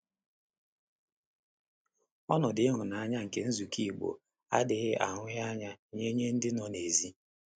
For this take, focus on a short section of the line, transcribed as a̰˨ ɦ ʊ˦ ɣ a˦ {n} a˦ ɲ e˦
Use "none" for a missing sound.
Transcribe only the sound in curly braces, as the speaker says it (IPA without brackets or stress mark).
ɲ